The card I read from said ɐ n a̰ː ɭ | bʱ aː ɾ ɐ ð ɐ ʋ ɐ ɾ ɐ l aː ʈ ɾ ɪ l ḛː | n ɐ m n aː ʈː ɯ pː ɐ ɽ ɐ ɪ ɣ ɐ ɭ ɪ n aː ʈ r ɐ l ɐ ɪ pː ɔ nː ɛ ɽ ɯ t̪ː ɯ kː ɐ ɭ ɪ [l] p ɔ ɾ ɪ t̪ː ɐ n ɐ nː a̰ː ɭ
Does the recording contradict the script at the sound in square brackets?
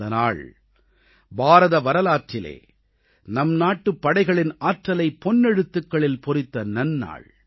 no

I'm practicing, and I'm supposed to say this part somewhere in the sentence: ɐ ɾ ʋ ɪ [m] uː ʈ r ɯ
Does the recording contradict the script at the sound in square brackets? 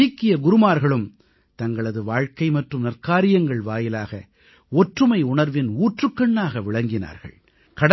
yes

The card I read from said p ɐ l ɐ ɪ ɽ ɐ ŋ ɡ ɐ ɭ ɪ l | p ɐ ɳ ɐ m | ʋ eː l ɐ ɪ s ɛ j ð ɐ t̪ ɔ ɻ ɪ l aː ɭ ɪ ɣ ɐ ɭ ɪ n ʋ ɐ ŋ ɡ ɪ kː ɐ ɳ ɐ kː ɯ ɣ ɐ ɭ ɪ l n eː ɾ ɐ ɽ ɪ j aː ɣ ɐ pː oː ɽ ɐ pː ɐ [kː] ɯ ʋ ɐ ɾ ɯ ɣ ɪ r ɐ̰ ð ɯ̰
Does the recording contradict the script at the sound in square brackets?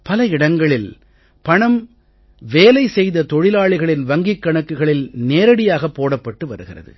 yes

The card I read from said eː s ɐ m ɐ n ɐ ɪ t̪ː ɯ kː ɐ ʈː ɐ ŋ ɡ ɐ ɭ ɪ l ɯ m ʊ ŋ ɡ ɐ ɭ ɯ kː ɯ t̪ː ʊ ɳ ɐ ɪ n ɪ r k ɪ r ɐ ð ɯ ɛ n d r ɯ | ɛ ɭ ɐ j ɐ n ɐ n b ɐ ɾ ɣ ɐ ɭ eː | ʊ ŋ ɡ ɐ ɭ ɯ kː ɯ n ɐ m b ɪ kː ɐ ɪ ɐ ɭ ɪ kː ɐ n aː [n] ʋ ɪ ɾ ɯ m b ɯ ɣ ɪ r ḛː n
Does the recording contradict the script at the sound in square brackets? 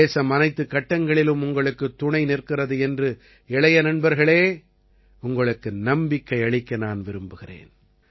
no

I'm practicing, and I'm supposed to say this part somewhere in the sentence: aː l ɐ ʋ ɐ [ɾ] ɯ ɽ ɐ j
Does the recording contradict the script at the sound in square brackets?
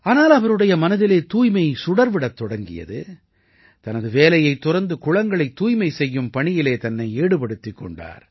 no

